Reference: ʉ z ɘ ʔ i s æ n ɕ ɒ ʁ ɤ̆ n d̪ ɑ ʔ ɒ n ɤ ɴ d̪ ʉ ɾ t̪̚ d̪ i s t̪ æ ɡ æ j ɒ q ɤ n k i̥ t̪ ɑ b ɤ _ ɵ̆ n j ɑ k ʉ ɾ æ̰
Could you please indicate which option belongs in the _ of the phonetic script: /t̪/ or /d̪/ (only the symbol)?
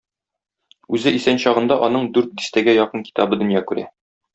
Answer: d̪